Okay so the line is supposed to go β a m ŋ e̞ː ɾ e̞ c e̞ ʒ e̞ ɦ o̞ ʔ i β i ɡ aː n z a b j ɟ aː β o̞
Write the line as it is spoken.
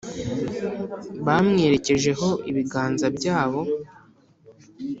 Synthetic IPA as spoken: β a m ŋ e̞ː ɾ e̞ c e̞ ʒ e̞ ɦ o̞ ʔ i β i ɡ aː n z a b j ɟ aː β o̞